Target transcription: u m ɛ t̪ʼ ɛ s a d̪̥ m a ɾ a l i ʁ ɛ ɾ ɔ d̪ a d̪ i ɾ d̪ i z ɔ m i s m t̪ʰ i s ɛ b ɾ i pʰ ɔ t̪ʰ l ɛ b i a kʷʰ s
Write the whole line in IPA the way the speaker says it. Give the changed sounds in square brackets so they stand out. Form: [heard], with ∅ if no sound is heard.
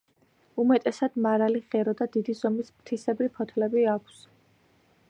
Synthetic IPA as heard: u m ɛ t̪ʼ ɛ s a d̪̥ m a ɾ a l i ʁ ɛ ɾ ɔ d̪ a d̪ i [∅] d̪ i z ɔ m i s m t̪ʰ i s ɛ b ɾ i pʰ ɔ t̪ʰ l ɛ b i a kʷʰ s